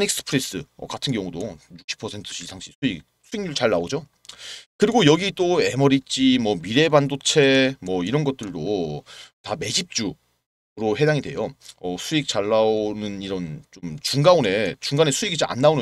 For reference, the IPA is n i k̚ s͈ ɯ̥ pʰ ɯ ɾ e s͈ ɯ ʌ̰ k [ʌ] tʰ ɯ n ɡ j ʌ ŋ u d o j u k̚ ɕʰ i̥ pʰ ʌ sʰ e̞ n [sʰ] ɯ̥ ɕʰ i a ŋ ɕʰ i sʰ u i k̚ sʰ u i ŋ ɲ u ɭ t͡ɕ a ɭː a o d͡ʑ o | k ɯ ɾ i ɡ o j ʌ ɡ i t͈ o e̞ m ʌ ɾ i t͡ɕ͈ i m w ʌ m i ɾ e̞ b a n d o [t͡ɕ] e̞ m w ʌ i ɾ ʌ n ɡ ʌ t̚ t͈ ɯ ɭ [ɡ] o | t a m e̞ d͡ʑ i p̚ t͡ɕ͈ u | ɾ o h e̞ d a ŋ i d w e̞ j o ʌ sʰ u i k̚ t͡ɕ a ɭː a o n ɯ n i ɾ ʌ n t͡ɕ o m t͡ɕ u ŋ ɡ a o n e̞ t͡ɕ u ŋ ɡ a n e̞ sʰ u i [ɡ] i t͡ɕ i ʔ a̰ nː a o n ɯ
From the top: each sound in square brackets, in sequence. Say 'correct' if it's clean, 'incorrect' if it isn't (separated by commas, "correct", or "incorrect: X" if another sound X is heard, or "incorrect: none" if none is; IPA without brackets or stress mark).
incorrect: a, incorrect: tʰ, incorrect: t͡ɕʰ, incorrect: d, correct